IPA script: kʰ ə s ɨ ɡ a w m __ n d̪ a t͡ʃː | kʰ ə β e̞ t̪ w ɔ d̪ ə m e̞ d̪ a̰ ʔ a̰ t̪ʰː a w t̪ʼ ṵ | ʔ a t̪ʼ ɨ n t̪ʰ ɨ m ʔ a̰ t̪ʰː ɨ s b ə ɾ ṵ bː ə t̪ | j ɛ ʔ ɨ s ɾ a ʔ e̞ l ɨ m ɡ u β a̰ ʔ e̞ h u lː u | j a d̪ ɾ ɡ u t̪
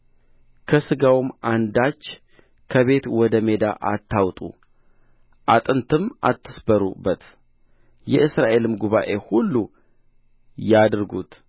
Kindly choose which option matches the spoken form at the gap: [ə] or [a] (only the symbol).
a